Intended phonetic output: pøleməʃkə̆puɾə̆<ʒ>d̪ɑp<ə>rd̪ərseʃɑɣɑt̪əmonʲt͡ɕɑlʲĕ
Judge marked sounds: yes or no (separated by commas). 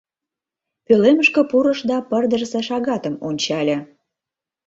no, yes